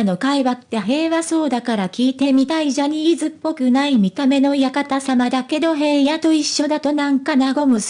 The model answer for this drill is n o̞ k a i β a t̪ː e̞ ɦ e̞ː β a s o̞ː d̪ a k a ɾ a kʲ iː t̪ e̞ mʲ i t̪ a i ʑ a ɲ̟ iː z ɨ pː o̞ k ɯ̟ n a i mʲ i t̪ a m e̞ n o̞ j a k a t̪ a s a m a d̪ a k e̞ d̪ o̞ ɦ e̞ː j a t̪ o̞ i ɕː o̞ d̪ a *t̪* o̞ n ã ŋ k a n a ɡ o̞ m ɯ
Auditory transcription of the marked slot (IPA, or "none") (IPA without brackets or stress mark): t̪